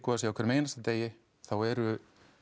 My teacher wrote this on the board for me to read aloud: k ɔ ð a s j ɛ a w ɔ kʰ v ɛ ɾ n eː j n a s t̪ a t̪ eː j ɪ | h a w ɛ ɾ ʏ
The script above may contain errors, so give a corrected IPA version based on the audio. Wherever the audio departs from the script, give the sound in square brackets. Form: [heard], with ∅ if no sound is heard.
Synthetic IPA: k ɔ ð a s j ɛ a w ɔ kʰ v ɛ ɾ [m] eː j n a s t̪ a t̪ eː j ɪ | [θ] a w ɛ ɾ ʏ